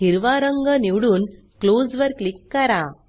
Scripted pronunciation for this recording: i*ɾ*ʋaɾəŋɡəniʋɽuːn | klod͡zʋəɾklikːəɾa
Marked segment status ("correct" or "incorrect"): correct